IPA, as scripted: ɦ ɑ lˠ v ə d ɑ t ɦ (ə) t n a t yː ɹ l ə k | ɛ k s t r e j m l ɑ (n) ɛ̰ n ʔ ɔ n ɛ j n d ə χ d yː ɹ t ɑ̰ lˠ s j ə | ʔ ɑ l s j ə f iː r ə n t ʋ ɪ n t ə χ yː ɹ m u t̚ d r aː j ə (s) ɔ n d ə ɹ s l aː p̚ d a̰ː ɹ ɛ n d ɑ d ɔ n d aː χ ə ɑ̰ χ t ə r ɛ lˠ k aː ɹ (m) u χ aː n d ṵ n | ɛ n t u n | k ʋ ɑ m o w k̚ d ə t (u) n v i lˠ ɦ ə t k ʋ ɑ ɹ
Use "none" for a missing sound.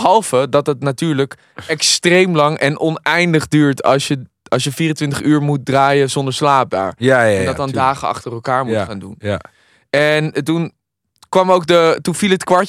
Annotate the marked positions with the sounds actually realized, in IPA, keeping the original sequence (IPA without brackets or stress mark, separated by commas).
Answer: ə, ŋ, z, m, u